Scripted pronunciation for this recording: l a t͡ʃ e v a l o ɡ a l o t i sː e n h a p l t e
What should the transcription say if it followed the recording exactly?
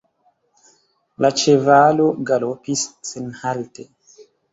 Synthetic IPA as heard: l a t͡ʃ e v a l o ɡ a l o p i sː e n h a l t e